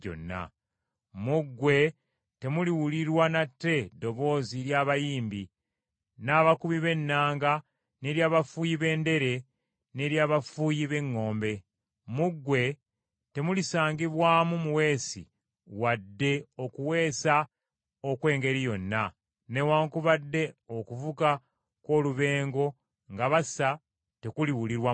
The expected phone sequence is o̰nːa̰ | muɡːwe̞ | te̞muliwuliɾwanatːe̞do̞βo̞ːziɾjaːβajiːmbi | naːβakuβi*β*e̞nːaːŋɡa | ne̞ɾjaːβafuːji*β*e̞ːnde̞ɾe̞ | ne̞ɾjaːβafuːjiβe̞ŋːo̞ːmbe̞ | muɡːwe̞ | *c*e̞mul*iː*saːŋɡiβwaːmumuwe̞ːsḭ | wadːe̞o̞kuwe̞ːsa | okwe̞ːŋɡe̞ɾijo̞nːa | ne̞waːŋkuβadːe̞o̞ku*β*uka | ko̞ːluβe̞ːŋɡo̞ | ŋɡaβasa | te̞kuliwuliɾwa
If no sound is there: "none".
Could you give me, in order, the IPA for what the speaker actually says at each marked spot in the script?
β, β, t, i, v

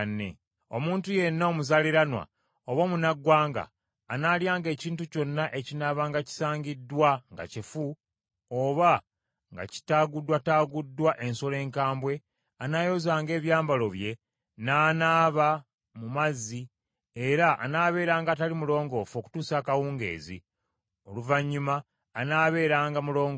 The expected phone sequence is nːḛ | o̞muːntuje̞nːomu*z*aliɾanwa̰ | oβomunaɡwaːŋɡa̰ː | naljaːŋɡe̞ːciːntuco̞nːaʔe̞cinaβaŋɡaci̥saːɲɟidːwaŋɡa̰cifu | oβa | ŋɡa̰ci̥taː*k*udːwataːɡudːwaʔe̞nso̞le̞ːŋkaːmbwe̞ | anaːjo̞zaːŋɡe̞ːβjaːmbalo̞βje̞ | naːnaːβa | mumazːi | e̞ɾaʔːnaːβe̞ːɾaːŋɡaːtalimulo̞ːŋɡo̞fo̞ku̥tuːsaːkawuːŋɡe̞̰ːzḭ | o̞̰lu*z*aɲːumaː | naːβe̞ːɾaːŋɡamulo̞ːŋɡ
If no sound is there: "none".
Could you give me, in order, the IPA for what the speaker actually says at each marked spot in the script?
z, ɡ, v

